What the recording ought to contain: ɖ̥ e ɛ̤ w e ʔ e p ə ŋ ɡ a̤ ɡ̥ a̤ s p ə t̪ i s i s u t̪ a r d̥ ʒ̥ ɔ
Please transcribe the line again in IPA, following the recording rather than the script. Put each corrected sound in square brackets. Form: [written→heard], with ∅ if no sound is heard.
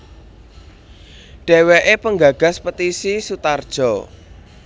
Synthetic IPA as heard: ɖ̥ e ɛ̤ w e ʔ e p ə ŋ ɡ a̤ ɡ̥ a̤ s p ə t̪ i s i s u t̪ a r d̥ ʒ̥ ɔ